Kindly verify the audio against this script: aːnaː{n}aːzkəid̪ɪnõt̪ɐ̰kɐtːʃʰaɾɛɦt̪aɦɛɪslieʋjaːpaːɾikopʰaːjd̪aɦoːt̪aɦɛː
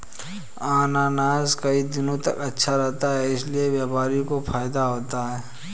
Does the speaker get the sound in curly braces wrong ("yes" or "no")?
no